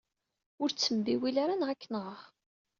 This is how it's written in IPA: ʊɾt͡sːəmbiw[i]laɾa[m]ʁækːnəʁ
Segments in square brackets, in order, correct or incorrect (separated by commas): correct, incorrect